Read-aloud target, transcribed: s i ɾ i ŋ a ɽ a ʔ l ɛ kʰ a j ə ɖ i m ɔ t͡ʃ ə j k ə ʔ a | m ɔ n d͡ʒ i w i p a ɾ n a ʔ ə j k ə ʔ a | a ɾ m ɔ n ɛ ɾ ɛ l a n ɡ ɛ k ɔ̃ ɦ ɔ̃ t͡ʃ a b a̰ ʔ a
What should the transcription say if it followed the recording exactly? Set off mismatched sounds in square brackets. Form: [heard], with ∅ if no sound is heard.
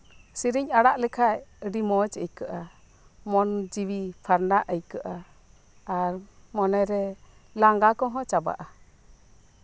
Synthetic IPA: s i ɾ i [ɲ] a ɽ a ʔ l ɛ kʰ a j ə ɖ i m ɔ t͡ʃ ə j k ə ʔ a | m ɔ n d͡ʒ i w i [pʰ] a ɾ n a ʔ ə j k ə ʔ a | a ɾ m ɔ n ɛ ɾ ɛ l a [ŋ] ɡ [a] k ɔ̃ ɦ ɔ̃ t͡ʃ a b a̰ ʔ a